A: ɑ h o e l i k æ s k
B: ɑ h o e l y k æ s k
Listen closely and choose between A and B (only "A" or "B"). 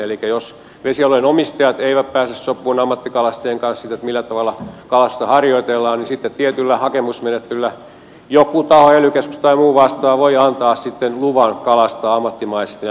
B